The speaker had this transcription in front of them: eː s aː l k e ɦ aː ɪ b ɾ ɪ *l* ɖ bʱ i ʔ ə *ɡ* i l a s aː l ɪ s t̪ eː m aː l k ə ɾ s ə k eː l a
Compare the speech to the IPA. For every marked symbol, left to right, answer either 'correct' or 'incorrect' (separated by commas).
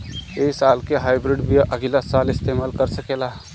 incorrect, correct